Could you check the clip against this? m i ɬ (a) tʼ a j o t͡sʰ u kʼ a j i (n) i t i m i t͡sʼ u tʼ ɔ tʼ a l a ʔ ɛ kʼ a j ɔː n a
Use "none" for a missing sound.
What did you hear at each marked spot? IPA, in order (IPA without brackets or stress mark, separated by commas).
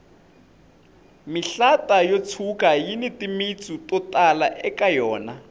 a, n